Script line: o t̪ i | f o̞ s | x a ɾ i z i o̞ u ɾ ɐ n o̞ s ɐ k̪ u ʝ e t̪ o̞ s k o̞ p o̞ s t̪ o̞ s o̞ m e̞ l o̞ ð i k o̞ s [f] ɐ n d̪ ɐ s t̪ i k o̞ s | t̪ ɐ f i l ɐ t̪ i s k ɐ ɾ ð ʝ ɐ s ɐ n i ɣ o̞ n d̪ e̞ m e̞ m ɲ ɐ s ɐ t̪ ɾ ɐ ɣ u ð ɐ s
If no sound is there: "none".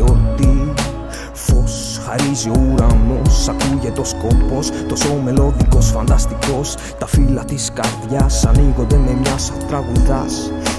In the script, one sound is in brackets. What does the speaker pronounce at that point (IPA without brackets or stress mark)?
f